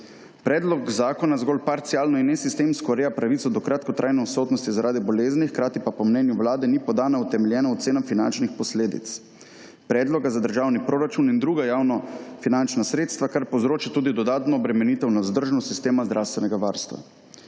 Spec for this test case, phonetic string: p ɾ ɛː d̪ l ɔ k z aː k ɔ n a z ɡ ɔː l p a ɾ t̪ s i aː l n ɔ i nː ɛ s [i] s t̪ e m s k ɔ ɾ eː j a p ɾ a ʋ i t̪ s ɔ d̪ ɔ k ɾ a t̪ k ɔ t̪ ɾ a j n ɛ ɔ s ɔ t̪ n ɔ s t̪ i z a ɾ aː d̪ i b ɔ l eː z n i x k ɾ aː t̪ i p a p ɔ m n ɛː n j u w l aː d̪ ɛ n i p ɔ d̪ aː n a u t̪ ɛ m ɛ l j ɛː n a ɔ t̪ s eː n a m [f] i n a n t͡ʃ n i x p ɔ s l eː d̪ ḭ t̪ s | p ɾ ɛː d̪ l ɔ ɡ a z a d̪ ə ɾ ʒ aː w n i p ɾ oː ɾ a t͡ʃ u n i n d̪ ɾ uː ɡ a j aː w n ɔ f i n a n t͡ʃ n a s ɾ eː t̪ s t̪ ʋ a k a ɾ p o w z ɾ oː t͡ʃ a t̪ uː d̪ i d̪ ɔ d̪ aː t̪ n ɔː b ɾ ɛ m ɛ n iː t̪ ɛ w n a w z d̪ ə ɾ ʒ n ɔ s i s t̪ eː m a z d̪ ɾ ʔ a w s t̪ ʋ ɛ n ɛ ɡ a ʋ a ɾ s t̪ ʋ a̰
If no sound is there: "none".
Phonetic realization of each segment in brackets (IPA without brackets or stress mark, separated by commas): i, f